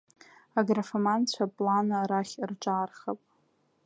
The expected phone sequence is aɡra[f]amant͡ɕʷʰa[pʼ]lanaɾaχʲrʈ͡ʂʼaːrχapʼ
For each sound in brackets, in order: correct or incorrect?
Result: correct, correct

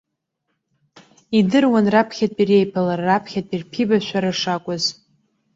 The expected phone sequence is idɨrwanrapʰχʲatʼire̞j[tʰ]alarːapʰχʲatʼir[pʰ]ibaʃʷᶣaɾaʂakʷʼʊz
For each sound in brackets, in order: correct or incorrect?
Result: incorrect: pʰ, correct

